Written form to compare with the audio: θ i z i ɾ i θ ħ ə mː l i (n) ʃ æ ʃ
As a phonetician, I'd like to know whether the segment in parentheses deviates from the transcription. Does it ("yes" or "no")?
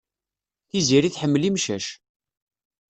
yes